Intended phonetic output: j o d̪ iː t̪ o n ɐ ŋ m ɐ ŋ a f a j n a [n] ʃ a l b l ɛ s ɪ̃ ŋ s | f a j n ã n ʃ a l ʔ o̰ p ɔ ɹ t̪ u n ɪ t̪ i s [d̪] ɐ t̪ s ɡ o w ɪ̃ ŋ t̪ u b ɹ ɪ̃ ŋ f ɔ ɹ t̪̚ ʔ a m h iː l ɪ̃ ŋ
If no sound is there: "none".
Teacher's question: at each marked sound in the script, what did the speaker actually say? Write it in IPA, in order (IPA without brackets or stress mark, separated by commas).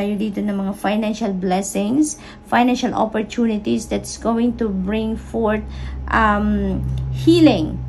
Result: n, d̪